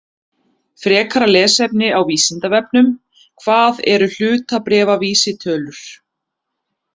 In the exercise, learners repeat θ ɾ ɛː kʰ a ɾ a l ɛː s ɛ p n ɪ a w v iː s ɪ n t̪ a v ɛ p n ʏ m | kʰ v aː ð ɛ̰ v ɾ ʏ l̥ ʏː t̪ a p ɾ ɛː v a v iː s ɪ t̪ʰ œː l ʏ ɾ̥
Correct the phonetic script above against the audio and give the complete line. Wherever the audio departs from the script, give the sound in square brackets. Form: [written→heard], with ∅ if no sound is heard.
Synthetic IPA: [θ→f] ɾ ɛː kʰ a ɾ a l ɛː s ɛ p n ɪ a w v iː s ɪ n t̪ a v ɛ p n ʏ m | kʰ v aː ð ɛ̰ [v→∅] ɾ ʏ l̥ ʏː t̪ a p ɾ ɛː v a v iː s ɪ t̪ʰ œː l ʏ ɾ̥